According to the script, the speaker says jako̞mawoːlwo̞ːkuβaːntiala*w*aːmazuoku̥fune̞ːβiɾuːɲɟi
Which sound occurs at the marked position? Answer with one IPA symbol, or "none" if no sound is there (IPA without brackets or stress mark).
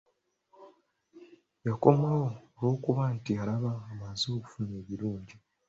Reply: β